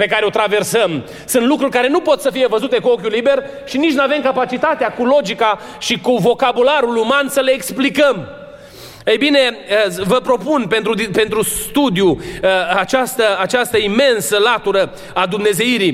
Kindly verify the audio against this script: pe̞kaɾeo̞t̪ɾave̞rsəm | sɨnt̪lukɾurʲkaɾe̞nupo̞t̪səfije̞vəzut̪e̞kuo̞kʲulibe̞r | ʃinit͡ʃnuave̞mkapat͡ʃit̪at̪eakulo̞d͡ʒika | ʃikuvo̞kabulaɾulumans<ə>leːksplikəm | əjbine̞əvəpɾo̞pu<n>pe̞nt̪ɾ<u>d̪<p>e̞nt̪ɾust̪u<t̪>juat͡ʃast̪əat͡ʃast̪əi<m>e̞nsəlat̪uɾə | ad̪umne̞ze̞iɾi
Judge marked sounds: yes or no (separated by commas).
yes, yes, yes, yes, no, yes